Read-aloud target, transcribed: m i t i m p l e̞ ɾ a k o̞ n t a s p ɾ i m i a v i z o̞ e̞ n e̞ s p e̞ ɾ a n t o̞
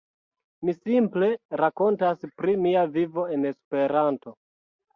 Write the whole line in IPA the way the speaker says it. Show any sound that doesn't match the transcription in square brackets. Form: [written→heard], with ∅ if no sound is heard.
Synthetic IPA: m i [t→s] i m p l e̞ ɾ a k o̞ n t a s p ɾ i m i a v i [z→v] o̞ e̞ n e̞ s p e̞ ɾ a n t o̞